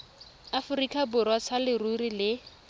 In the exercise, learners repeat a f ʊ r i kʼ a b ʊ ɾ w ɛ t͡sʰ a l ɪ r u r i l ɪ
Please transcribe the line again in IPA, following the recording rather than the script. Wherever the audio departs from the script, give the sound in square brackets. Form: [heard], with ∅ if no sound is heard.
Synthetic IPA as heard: a f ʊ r i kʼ a b ʊ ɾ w [a] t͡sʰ a l ɪ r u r i l ɪ